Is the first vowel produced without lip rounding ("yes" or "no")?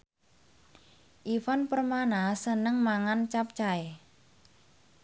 yes